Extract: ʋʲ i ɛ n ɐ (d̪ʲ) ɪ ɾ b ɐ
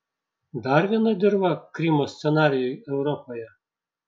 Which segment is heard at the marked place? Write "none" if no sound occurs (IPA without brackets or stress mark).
d̪ʲ